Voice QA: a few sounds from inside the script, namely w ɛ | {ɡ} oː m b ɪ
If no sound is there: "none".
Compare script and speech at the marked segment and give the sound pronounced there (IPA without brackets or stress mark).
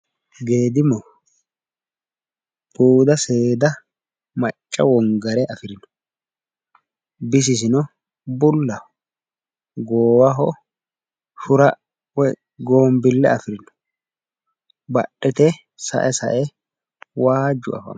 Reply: ɡ